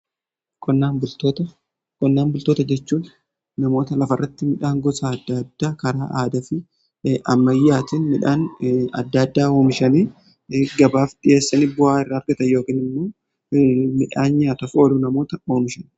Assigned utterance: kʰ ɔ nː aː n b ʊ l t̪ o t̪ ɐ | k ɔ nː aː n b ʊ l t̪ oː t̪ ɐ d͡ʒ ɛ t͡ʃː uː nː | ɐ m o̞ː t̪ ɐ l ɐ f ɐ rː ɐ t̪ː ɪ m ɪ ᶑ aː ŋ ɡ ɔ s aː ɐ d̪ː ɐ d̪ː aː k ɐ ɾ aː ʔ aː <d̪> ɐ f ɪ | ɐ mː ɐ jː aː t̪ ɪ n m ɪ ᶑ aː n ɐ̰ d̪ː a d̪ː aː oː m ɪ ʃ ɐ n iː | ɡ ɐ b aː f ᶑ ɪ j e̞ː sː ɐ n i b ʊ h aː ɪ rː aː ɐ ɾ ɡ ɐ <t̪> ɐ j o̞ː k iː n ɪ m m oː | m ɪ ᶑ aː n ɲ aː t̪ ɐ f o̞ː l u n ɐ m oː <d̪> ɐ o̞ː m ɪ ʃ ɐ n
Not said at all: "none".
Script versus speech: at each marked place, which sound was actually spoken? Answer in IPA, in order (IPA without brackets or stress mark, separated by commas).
d̪, t̪, t̪